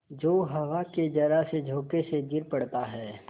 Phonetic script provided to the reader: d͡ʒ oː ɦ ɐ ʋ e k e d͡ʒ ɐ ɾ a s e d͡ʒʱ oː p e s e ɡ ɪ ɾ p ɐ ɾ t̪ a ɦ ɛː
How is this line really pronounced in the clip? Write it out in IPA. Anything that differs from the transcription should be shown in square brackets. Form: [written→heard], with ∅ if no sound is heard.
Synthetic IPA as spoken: d͡ʒ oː ɦ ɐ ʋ [e→a] k e d͡ʒ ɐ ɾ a s e d͡ʒʱ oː [p→k] e s e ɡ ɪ ɾ p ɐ [ɾ→ɽ] t̪ a ɦ ɛː